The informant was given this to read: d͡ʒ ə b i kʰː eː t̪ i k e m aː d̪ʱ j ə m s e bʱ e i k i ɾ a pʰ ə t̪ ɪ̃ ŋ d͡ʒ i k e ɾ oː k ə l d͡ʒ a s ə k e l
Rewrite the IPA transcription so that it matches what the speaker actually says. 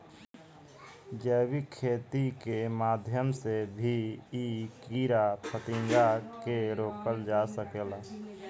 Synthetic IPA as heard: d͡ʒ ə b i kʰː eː t̪ i k e m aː d̪ʱ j ə m s e bʱ i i k i ɾ a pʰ ə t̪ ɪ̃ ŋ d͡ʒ a k e ɾ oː k ə l d͡ʒ a s ə k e l

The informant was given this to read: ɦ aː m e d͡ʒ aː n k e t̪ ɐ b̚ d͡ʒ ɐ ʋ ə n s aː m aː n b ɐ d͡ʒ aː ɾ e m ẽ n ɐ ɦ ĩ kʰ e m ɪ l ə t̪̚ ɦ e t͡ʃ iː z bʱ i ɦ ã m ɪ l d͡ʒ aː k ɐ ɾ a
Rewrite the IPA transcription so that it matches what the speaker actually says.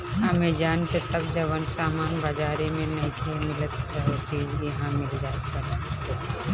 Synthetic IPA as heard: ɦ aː m e d͡ʒ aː n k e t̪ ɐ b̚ d͡ʒ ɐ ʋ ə n s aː m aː n b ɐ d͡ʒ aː ɾ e m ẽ n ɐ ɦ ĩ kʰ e m ɪ l ə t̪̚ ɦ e t͡ʃ iː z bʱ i ɦ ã m ɪ l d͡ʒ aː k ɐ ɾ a

